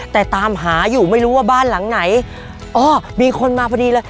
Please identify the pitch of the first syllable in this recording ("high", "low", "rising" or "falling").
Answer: low